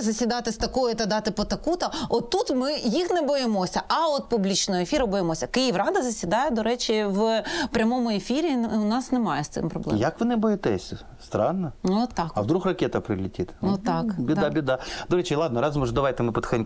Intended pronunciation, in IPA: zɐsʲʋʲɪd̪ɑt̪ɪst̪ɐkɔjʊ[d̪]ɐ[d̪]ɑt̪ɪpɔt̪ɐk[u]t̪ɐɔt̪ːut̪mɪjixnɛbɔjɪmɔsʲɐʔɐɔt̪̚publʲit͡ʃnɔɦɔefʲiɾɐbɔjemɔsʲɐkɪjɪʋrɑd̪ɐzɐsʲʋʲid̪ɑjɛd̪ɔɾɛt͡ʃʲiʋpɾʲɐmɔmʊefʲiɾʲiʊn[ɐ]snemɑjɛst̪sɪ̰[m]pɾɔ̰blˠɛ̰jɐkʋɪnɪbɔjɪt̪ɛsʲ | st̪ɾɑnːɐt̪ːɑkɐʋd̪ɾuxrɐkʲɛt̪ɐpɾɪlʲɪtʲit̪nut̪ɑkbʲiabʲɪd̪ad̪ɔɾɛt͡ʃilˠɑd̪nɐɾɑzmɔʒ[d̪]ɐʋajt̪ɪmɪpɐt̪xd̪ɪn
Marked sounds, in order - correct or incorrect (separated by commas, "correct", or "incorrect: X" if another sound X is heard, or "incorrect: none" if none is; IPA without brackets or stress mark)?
incorrect: t̪, correct, correct, incorrect: ɑ, correct, correct